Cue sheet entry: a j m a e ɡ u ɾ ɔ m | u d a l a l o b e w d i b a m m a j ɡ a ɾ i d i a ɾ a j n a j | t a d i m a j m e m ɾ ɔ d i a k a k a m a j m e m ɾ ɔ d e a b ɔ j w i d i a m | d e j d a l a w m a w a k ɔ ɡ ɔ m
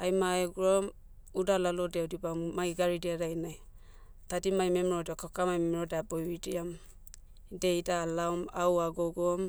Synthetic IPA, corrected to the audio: a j m a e ɡ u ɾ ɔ m | u d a l a l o d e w d i b a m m a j ɡ a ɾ i d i a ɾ a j n a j | t a d i m a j m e m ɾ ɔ d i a k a k a m a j m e m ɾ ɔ d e a b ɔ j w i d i a m | d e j d a l a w m a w a ɡ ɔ ɡ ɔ m